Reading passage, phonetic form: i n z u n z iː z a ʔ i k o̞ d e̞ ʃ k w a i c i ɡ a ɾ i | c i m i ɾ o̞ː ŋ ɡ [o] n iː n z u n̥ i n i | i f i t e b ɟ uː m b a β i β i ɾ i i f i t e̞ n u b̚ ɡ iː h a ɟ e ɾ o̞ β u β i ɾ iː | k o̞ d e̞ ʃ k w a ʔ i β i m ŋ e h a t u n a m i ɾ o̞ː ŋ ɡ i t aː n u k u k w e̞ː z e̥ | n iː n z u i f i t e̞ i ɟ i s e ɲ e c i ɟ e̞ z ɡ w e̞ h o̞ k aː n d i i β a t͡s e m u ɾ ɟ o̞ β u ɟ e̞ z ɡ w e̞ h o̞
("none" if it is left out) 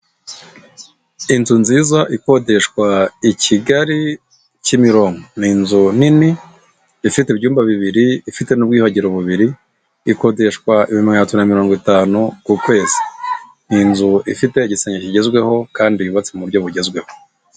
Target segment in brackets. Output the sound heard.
o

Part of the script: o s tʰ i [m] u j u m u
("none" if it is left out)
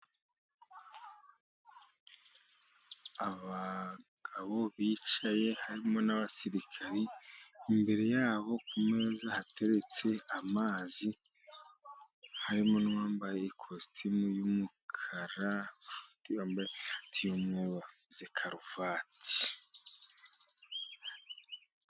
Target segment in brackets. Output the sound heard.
m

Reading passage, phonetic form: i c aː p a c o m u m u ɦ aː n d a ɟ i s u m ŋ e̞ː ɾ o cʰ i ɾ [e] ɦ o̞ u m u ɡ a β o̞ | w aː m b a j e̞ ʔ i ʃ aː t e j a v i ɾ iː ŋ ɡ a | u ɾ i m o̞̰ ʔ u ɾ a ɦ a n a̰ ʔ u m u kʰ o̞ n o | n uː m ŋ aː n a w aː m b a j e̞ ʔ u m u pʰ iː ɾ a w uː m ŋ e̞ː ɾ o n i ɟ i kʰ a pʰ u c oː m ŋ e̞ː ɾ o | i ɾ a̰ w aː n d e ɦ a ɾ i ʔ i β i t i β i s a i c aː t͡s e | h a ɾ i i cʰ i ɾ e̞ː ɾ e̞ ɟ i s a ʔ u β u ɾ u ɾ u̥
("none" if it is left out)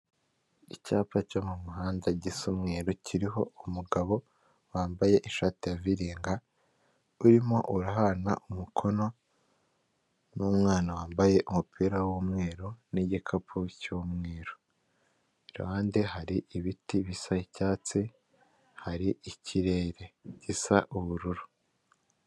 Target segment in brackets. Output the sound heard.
i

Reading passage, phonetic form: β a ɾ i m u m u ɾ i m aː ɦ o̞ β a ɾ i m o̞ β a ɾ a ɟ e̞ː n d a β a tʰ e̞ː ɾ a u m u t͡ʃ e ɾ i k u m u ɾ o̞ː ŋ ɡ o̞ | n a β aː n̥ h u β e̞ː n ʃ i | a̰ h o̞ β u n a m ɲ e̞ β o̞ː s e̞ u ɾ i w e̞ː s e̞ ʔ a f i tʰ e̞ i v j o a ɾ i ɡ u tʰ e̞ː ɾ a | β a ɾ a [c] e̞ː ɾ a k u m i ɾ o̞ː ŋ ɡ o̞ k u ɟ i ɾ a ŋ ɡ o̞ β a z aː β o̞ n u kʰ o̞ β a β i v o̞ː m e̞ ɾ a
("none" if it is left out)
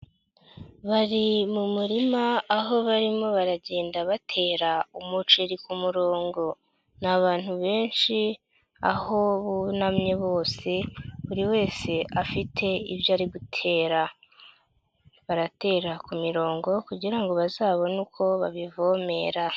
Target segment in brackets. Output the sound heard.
t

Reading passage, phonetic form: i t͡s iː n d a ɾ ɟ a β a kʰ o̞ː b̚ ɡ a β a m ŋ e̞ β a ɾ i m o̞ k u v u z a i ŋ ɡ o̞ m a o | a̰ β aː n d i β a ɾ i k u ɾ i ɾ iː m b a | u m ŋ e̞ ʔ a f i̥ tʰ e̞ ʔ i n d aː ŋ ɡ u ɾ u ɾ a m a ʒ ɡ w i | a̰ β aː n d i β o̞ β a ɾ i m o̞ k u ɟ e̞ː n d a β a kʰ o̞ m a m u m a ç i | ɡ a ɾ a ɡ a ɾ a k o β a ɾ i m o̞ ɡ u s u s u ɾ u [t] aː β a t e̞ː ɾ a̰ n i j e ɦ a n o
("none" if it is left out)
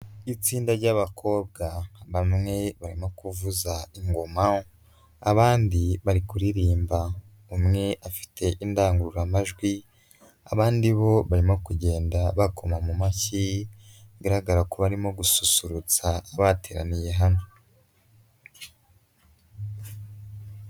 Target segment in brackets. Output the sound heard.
t͡s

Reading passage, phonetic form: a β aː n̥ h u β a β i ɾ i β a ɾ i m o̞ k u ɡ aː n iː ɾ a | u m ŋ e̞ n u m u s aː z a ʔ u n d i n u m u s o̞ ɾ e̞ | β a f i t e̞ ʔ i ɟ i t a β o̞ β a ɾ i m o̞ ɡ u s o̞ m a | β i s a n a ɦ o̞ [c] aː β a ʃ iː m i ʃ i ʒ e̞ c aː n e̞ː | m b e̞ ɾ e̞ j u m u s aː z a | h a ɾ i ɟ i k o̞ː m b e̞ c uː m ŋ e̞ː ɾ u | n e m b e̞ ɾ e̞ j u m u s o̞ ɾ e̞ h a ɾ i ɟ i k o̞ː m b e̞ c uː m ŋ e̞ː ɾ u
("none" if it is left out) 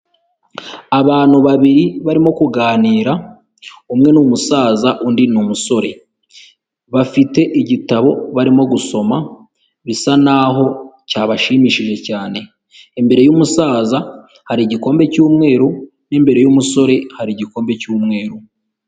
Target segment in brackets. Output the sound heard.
c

